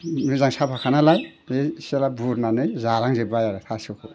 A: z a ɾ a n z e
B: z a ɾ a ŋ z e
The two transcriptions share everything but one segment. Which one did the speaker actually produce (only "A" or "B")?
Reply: B